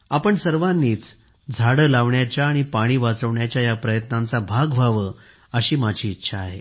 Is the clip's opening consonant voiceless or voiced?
voiceless